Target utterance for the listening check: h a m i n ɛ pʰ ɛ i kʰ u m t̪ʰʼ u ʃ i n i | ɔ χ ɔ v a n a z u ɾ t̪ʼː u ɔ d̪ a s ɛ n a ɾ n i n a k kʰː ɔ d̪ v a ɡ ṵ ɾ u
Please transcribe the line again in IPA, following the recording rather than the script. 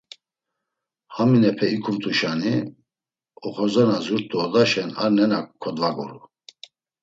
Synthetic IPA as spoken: h a m i n ɛ pʰ ɛ i kʰ u m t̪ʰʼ u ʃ a n i | ɔ χ ɔ z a n a z u ɾ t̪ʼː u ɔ d̪ a ʃ ɛ n a ɾ n ɛ n a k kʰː ɔ d̪ v a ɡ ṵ ɾ u